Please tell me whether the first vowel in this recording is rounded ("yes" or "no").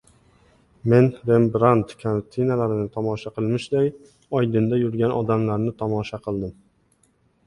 no